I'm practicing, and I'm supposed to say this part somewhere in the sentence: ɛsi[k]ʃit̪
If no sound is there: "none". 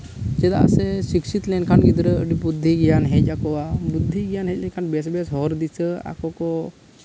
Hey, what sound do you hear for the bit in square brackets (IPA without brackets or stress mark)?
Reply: k